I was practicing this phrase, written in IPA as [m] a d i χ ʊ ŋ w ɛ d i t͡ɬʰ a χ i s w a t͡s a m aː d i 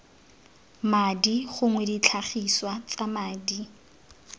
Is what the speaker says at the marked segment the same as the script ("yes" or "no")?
yes